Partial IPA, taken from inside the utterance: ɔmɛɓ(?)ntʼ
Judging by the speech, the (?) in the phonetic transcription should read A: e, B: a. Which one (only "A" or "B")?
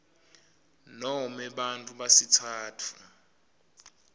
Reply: B